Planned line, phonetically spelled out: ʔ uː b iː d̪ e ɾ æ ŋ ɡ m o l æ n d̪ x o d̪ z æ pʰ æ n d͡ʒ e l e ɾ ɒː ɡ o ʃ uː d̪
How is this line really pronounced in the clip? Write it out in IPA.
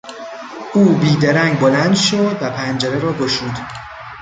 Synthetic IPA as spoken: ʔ uː b iː d̪ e ɾ æ ŋ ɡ b o l æ n d̪ ʃ o d̪ v æ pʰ æ n d͡ʒ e ɾ e ɾ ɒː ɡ o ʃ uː d̪

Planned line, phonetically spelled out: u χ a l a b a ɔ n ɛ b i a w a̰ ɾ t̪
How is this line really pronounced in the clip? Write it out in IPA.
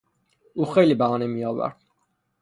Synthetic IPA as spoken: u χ ɛ l i b a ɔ n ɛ m i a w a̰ ɾ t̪

